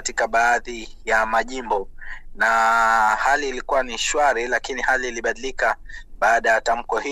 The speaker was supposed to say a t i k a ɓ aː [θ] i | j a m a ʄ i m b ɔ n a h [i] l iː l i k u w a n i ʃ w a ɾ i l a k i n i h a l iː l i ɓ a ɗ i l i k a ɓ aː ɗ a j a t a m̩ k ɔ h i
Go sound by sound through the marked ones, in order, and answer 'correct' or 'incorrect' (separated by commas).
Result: incorrect, incorrect